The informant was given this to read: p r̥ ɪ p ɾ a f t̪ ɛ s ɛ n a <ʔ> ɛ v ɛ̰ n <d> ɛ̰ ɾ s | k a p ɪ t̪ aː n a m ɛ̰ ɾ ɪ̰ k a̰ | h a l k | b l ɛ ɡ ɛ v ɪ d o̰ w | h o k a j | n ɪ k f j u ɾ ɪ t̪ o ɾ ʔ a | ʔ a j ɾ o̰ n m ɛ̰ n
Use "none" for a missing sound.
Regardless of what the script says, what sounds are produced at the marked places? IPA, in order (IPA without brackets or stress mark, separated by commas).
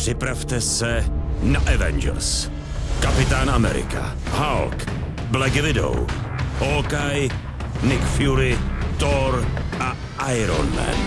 ʔ, d͡ʒ